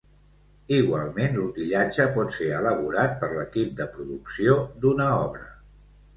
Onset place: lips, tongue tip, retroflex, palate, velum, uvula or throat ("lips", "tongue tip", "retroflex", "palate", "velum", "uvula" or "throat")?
velum